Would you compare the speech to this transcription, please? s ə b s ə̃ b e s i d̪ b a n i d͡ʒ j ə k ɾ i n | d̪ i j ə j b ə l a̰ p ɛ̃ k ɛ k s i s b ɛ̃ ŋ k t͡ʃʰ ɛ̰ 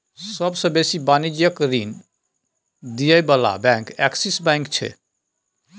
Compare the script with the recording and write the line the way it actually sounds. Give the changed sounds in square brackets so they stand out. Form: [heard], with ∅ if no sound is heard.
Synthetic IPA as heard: s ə b s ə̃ b e s i [∅] b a n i d͡ʒ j ə k ɾ i n | d̪ i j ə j b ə l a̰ [b] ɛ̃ k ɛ k s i s b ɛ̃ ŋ k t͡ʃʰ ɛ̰